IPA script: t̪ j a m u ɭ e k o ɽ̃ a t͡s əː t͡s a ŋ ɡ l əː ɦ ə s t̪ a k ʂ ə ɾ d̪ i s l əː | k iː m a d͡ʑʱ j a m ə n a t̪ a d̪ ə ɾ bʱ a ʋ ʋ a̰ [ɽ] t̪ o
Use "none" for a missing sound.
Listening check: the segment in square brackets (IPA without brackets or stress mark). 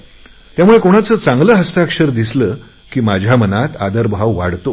ɽ